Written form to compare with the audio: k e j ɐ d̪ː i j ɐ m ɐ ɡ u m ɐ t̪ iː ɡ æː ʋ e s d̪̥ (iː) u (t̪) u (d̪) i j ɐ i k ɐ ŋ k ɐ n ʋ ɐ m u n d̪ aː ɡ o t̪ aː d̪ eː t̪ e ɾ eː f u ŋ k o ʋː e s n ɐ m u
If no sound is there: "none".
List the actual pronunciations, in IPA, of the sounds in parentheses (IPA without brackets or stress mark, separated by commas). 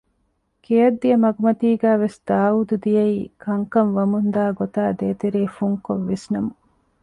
aː, d̪, d̪